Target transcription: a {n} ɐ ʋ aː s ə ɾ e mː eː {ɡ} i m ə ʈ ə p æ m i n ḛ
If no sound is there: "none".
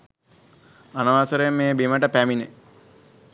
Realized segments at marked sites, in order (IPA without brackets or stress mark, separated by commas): n, b